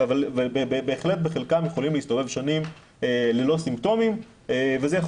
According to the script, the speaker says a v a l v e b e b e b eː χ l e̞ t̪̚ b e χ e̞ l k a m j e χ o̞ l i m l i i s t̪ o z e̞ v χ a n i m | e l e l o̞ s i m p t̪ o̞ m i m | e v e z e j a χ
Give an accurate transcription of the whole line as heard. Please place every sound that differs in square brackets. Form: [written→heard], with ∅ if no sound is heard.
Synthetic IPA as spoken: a v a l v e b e b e b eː χ l e̞ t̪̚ b e χ e̞ l k a m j e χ o̞ l i m l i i s t̪ o [z→v] e̞ v [χ→ʃ] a n i m | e l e l o̞ s i m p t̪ o̞ m i m | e v e z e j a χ